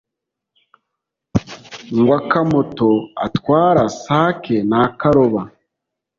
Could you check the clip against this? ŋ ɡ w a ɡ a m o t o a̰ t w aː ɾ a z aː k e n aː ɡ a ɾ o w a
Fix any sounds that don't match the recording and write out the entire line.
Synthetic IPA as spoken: ŋ ɡ w a k a m o t o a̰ t w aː ɾ a s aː k e n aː k a ɾ o β a